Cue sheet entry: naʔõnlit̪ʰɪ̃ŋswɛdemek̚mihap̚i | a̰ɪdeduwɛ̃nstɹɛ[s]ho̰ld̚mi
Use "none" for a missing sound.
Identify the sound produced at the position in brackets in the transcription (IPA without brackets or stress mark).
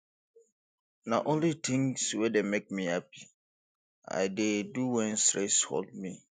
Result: s